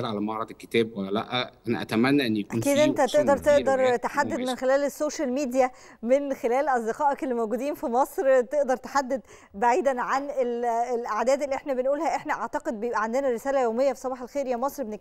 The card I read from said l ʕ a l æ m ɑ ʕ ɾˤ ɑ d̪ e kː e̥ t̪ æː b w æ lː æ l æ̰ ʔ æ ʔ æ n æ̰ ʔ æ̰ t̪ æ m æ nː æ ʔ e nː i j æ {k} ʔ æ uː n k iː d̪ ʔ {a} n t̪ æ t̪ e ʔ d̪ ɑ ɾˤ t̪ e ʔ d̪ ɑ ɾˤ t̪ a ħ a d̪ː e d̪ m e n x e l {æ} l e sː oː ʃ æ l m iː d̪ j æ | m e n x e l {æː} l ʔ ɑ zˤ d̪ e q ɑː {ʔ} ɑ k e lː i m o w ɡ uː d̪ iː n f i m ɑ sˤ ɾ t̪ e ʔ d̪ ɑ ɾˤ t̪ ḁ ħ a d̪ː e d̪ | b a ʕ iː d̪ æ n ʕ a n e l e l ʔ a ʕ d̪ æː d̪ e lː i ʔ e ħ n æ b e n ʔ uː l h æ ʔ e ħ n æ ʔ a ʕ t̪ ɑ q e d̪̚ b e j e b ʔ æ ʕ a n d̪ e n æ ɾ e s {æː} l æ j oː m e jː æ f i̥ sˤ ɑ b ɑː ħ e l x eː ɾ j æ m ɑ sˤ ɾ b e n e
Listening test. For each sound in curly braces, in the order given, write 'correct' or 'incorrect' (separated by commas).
correct, incorrect, incorrect, correct, correct, correct